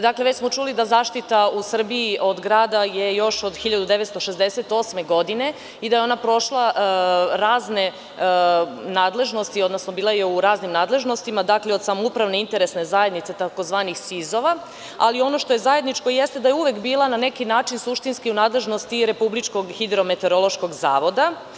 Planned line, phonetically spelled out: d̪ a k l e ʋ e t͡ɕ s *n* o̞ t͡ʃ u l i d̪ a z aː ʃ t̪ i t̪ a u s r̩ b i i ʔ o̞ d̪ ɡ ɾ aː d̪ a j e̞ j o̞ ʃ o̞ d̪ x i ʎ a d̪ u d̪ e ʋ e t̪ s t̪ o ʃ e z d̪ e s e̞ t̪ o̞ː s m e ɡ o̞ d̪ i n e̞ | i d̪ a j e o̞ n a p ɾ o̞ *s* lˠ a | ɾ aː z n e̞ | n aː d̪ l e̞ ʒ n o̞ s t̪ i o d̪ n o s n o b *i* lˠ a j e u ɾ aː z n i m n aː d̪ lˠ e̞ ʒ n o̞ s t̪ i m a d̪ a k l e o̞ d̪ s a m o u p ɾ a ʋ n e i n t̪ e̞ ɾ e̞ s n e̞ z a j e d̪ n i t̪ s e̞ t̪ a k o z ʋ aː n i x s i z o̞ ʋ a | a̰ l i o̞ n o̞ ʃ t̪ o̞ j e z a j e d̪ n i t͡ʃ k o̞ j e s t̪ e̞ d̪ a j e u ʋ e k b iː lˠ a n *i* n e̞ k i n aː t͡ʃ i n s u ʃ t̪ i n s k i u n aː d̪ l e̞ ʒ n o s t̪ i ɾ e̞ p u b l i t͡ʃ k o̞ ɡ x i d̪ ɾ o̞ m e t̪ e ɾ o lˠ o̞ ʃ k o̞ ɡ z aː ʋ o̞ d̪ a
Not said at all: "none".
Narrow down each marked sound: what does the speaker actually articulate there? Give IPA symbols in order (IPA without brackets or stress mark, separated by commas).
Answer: m, ʃ, iː, a